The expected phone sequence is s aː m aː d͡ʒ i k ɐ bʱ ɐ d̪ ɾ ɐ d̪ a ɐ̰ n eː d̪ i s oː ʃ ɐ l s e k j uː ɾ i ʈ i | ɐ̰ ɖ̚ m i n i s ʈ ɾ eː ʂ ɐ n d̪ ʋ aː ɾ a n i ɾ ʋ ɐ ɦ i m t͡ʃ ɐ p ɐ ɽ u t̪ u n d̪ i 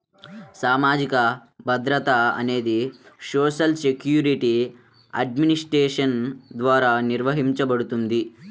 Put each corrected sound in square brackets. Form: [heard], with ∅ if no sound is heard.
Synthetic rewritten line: s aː m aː d͡ʒ i k ɐ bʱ ɐ d̪ ɾ ɐ [t̪] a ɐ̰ n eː d̪ i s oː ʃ ɐ l s e k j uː ɾ i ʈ i | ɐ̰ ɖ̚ m i n i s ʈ ɾ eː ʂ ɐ n d̪ ʋ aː ɾ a n i ɾ ʋ ɐ ɦ i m t͡ʃ ɐ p ɐ ɽ u t̪ u n d̪ i